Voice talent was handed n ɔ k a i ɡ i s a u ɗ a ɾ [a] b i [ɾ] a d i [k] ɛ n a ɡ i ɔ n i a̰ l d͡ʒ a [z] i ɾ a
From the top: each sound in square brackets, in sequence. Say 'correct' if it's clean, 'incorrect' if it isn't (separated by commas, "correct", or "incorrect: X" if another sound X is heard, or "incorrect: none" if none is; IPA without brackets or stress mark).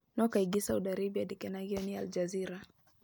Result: incorrect: i, incorrect: none, correct, correct